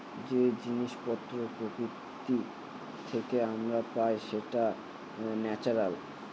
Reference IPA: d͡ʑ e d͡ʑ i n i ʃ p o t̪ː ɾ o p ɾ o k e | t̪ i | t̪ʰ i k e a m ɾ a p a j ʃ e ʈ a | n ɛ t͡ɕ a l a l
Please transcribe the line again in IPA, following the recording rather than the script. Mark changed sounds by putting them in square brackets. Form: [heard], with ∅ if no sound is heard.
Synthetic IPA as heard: d͡ʑ e d͡ʑ i n i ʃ p [ɔ] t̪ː ɾ o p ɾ o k [i] | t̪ i | t̪ʰ [e] k e a m ɾ a p a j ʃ e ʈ a | n ɛ t͡ɕ a [ɾ] a l